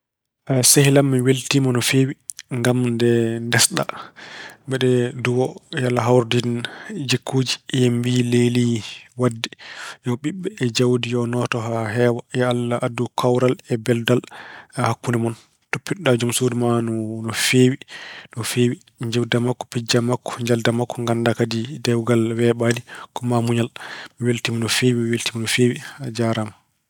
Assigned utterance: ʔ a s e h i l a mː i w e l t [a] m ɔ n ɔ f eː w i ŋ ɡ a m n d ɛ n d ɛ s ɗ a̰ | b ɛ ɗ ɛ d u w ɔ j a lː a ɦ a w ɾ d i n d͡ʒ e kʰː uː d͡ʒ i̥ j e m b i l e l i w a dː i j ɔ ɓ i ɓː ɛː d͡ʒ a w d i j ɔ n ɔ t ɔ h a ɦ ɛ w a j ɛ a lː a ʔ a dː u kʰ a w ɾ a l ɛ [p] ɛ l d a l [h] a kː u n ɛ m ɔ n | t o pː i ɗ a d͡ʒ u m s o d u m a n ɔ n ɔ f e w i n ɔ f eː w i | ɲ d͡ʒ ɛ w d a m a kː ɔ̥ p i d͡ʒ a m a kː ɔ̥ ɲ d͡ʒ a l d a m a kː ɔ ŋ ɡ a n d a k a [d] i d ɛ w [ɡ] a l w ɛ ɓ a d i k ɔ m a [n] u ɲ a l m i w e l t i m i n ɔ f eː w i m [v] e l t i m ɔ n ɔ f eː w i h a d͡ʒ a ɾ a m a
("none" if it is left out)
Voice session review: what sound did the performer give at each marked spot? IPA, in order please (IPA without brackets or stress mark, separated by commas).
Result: i, b, h, d, ɡ, m, w